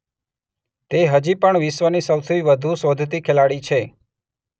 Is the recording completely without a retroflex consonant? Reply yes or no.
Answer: no